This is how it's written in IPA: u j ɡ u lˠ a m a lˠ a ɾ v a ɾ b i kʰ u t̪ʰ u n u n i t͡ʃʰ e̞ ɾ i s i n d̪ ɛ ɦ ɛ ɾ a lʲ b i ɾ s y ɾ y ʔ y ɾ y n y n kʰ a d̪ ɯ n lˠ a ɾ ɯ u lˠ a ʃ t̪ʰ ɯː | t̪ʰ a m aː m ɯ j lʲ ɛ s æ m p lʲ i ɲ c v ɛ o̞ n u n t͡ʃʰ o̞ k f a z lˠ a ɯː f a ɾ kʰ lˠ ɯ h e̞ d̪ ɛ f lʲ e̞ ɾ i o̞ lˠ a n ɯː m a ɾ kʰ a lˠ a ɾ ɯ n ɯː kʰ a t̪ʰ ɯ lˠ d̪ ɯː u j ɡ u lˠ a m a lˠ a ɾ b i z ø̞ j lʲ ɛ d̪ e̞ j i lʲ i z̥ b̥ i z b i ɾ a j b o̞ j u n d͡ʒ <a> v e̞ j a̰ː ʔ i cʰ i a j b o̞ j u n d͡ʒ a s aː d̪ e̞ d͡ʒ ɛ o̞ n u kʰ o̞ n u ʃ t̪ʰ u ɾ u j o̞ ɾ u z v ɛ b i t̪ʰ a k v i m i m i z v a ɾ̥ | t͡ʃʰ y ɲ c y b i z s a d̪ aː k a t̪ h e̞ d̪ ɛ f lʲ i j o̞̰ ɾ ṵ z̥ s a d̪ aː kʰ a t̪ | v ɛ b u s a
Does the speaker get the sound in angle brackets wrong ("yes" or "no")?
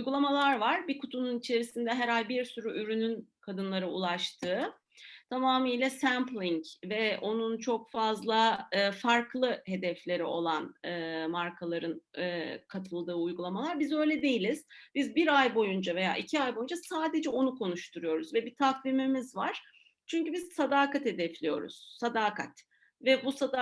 no